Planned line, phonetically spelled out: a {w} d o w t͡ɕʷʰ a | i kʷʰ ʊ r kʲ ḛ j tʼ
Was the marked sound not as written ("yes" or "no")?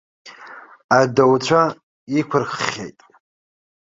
yes